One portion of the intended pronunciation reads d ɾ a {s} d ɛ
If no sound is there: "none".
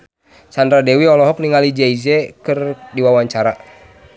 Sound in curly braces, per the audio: none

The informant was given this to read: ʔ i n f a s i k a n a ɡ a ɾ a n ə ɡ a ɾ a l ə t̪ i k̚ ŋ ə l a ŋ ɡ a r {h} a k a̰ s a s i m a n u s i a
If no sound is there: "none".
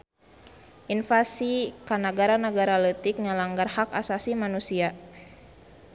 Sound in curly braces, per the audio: h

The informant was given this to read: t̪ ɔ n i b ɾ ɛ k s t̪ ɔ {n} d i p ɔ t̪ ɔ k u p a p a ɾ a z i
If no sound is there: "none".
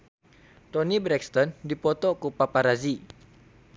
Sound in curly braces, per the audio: n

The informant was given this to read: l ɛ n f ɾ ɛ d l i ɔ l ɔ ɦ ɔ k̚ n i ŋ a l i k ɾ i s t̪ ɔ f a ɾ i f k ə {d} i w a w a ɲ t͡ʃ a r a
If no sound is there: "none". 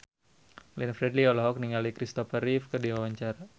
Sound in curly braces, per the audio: d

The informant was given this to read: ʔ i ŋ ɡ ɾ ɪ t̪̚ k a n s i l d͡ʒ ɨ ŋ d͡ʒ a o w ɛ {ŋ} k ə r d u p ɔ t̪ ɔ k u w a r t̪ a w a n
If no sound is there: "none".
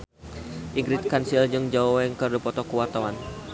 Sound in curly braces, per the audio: ŋ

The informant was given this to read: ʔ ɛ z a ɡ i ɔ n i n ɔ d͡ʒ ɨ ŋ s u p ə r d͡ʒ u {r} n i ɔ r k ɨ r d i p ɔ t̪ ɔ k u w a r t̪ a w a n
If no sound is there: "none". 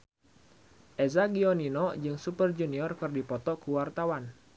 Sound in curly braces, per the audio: none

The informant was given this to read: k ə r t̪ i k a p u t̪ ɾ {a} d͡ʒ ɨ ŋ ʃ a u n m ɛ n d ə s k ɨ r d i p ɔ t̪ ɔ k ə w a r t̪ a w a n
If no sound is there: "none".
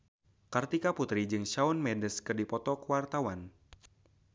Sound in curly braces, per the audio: i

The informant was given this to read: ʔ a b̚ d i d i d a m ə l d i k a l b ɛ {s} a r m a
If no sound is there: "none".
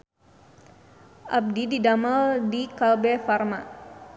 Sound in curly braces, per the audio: f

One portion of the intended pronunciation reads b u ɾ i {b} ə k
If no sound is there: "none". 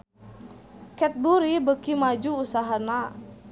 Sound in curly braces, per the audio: b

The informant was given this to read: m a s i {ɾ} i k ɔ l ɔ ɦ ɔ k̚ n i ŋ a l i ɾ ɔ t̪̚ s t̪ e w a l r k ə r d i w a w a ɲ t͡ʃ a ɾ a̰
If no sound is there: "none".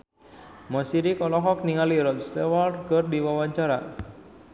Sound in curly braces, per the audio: ɾ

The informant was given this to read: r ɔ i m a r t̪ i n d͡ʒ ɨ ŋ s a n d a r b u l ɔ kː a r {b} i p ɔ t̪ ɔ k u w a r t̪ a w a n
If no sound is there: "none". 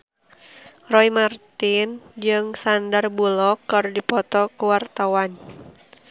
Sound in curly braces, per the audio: d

